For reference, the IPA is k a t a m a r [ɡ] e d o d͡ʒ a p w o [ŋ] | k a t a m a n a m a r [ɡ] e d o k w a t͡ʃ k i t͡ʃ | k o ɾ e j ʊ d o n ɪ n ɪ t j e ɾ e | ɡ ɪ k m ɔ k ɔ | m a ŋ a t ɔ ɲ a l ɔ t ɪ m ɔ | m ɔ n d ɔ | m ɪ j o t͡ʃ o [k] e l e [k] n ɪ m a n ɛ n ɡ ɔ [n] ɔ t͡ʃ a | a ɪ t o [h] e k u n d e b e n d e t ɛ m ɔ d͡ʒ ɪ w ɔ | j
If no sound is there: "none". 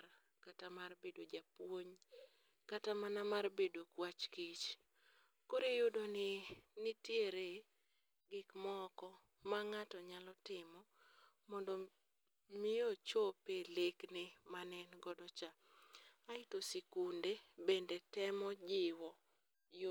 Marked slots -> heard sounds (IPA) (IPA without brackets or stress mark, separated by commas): b, ɲ, b, p, k, d, s